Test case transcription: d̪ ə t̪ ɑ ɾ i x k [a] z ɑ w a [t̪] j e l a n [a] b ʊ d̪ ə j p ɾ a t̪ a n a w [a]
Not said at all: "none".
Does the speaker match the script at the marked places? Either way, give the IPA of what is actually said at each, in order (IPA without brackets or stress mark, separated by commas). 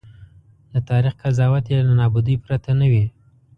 a, t̪, ɑ, i